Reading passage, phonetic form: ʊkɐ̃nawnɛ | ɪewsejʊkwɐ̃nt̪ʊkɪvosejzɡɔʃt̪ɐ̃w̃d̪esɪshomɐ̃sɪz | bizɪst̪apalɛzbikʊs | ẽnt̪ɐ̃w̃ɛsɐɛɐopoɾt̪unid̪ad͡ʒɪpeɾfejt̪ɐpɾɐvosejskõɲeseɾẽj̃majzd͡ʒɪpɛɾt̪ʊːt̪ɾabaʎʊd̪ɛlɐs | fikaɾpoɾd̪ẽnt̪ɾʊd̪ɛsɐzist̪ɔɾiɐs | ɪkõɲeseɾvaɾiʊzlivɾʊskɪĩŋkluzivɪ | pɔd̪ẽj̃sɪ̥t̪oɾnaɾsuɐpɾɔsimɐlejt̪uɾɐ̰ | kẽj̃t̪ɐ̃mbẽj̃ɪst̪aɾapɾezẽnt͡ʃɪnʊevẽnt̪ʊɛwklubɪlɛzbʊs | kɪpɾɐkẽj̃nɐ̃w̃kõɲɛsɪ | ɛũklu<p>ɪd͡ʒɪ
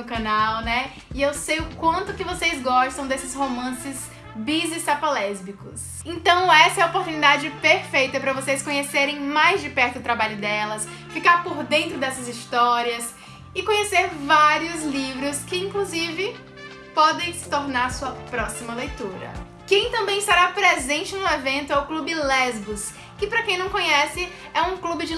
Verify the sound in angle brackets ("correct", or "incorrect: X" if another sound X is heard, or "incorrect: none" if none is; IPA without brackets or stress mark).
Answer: incorrect: b